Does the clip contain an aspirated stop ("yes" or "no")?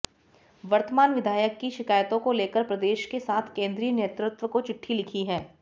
yes